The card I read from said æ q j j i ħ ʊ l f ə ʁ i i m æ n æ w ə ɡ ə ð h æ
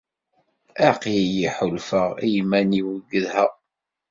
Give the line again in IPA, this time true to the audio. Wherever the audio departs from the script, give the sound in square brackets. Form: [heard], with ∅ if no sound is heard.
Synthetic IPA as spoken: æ q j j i ħ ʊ l f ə ʁ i [j] m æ n [i] w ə ɡ ə ð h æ